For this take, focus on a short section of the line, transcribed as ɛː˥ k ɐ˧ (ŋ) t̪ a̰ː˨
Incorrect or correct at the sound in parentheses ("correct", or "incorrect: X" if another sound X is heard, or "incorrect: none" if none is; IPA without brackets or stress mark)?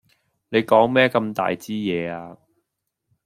incorrect: m